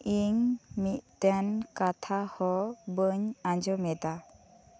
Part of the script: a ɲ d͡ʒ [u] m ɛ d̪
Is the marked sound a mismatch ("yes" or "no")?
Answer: yes